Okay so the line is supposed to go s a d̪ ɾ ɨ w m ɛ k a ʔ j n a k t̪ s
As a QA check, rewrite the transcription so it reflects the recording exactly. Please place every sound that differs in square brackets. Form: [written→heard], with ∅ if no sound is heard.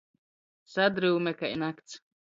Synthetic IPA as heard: s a d̪ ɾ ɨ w m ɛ k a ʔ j n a k t̪ s